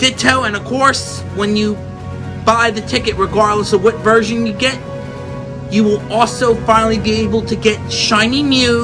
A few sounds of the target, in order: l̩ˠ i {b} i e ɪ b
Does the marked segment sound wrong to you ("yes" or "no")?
no